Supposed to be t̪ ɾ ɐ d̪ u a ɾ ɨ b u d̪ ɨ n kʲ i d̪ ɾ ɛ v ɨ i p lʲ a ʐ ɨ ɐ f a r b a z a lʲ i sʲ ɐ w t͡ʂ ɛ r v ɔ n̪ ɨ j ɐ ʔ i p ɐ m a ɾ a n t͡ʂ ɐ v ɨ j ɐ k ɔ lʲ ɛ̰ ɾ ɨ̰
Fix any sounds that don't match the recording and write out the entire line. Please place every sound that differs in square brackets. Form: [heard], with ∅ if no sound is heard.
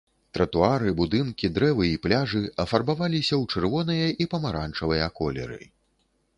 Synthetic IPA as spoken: t̪ ɾ ɐ [t̪] u a ɾ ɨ b u d̪ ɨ n kʲ i d̪ ɾ ɛ v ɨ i p lʲ a ʐ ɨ ɐ f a r b a [v] a lʲ i sʲ ɐ w t͡ʂ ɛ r v ɔ n̪ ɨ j ɐ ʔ i p ɐ m a ɾ a n t͡ʂ ɐ v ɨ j ɐ k ɔ lʲ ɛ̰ ɾ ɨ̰